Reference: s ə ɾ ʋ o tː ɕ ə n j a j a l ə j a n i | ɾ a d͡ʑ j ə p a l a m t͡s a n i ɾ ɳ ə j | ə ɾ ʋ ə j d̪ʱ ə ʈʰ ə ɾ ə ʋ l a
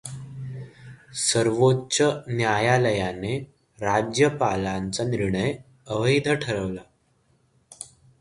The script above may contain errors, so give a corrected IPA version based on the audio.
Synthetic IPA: s ə ɾ ʋ o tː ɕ ə n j a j a l ə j a n e | ɾ a d͡ʑ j ə p a l a n t͡s a n i ɾ ɳ ə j | ə ʋ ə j d̪ʱ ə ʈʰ ə ɾ ə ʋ l a